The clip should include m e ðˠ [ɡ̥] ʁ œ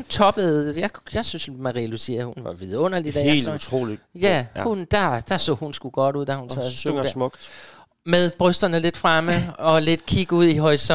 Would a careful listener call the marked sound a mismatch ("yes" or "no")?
yes